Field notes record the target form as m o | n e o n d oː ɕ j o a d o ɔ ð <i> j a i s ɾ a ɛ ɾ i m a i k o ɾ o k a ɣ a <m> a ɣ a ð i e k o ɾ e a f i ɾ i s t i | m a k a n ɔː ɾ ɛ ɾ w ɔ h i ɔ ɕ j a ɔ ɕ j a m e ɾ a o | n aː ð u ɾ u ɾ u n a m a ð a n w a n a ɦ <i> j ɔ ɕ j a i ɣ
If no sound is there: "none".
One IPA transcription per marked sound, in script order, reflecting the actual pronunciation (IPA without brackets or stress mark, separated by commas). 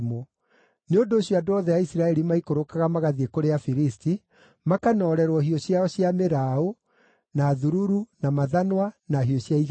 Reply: ɛ, m, i